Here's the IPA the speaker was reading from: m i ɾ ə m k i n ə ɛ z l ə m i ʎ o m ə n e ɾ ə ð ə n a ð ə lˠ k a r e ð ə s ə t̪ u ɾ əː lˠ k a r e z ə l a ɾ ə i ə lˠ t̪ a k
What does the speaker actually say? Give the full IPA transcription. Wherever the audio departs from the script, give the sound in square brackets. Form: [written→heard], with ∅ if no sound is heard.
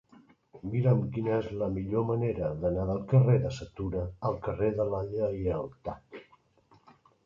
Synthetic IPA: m i ɾ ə m k i n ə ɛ z l ə m i ʎ o m ə n e ɾ ə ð ə n a ð ə lˠ k [a→ə] r e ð ə s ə t̪ u ɾ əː lˠ k [a→ə] r e [z→ð] ə l a [ɾ→ʎ] ə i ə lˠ t̪ a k